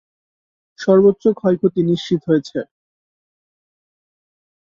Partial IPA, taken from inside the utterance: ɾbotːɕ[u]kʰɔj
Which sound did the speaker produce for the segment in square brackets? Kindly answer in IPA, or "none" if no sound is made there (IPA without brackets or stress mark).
o